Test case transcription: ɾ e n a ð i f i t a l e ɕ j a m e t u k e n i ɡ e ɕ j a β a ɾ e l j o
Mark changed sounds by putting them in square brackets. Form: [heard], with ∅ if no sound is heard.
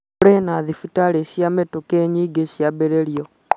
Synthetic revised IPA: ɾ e n a ð i f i t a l e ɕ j a m e t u k e [ɲ] i ɡ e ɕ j a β [e] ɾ e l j o